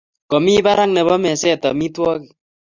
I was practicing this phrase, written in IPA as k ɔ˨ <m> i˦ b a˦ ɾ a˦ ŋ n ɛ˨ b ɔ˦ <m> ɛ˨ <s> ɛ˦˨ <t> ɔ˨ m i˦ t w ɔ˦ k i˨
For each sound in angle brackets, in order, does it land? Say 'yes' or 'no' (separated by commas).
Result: yes, yes, yes, yes